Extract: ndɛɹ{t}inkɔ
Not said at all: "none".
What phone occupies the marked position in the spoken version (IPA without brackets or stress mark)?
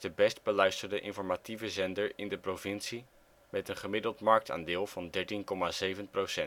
t